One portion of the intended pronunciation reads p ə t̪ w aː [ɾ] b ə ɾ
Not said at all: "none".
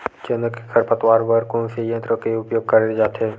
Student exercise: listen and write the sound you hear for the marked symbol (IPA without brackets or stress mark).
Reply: ɾ